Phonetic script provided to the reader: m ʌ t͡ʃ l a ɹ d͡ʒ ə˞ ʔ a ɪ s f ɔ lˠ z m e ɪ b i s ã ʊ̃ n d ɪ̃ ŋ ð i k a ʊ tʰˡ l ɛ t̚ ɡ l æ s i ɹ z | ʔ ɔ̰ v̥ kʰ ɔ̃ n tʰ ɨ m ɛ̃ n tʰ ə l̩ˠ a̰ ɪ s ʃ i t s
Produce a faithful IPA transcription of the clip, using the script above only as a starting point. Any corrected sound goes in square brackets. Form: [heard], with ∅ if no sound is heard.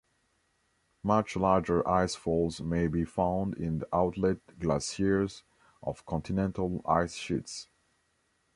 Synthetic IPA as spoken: m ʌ t͡ʃ l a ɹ d͡ʒ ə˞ ʔ a ɪ s f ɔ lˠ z m e ɪ b i [f] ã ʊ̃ n d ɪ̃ [n] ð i [ʔ] a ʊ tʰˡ l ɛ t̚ ɡ l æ s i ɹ z | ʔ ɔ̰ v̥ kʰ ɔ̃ n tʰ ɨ [n] ɛ̃ n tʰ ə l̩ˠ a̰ ɪ s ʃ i t s